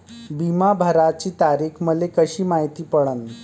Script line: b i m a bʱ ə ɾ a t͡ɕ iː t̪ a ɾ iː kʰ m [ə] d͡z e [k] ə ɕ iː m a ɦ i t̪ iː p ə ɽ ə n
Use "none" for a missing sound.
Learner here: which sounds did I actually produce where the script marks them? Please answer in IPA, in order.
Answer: ə, k

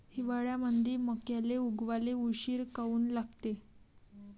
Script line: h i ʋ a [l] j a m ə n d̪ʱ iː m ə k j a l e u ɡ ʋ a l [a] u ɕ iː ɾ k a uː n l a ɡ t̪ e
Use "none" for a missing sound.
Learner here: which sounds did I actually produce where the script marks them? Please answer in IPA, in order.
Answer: ɭ, e

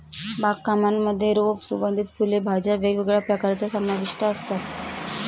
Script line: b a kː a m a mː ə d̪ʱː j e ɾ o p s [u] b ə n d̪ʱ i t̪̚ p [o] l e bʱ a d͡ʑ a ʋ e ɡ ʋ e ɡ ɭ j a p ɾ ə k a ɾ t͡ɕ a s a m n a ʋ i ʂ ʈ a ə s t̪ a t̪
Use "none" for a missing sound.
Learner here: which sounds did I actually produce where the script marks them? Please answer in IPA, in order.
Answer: u, u

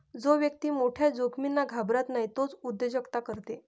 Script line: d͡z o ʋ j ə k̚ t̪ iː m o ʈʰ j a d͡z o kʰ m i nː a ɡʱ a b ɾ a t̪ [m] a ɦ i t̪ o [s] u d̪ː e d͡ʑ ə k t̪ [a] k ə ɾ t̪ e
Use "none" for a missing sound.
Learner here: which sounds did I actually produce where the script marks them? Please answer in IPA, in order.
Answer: n, t͡s, a

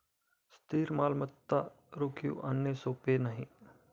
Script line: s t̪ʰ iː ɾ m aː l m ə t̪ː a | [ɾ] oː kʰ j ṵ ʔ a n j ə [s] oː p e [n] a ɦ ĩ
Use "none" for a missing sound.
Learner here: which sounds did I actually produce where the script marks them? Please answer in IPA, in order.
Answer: ɾ, s, n

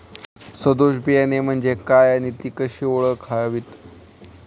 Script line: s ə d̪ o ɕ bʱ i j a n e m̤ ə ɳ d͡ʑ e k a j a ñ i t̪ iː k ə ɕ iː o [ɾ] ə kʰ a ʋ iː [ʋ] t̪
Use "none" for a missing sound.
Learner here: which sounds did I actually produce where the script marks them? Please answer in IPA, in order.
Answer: ɭ, none

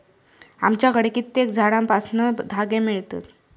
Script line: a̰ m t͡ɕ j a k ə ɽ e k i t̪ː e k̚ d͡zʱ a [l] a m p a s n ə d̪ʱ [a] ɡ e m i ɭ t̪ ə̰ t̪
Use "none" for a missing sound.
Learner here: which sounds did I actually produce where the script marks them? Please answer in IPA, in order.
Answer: ɽ, a

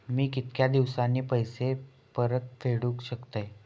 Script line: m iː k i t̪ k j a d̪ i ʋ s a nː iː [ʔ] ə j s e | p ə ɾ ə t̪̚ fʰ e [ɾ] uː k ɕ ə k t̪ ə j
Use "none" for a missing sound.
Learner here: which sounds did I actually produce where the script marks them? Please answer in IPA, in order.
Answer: p, ɽ

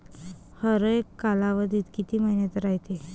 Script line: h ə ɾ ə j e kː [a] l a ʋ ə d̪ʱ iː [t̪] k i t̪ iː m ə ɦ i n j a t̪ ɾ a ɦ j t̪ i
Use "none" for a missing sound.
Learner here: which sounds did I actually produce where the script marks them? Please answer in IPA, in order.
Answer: a, t̪

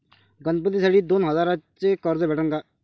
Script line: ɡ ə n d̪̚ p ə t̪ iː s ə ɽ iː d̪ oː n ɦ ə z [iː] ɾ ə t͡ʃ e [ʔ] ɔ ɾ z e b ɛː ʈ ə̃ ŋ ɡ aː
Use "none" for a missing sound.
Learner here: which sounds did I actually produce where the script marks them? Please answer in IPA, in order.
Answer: aː, k

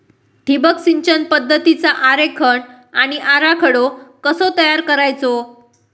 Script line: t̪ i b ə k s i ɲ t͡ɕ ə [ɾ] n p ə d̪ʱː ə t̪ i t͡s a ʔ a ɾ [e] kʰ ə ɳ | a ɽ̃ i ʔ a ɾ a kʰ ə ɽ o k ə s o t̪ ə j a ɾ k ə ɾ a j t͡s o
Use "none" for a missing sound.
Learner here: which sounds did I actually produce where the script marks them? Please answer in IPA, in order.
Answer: none, e

